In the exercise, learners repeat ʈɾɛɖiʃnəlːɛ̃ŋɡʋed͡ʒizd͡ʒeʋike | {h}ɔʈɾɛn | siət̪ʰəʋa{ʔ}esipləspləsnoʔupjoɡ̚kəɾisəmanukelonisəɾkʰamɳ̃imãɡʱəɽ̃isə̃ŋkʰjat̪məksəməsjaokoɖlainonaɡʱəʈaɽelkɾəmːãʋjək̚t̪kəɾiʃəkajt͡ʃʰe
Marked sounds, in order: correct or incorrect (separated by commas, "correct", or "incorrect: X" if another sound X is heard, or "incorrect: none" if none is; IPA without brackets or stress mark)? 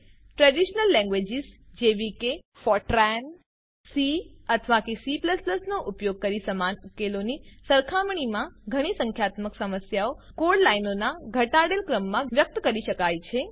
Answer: incorrect: f, incorrect: k